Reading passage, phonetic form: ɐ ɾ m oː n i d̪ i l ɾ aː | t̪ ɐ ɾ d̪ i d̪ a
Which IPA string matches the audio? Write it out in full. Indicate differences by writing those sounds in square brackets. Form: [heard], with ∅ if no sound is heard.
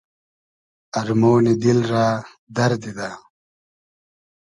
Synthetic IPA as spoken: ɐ ɾ m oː n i d̪ i l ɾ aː | [d̪] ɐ ɾ d̪ i d̪ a